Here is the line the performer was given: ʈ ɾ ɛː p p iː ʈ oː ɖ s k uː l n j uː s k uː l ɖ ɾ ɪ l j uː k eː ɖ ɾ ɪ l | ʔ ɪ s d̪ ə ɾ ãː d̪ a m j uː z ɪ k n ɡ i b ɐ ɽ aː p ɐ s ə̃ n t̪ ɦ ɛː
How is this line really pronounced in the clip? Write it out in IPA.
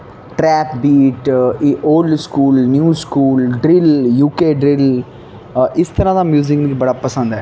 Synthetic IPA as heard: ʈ ɾ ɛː p b iː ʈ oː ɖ s k uː l n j uː s k uː l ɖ ɾ ɪ l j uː k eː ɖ ɾ ɪ l | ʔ ɪ s t̪ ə ɾ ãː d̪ a m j uː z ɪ k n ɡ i b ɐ ɽ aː p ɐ s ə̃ n d̪ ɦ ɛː